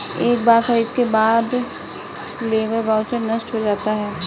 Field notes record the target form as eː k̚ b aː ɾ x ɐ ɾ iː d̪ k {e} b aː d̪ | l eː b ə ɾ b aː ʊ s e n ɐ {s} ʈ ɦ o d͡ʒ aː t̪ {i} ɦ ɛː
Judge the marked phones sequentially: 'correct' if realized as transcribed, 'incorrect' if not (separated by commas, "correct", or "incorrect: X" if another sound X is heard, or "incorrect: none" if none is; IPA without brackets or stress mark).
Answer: correct, correct, incorrect: a